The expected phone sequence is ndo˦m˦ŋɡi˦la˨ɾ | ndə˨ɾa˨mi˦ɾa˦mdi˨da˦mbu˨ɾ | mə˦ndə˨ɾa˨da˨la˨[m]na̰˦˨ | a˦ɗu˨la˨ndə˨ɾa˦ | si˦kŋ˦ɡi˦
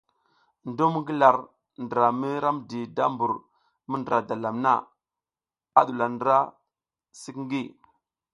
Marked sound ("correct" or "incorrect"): correct